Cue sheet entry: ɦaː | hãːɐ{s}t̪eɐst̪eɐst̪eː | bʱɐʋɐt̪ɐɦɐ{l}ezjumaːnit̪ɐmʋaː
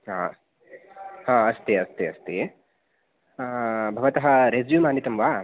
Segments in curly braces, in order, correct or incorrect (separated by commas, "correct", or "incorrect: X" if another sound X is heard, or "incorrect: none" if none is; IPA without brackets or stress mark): correct, incorrect: ɾ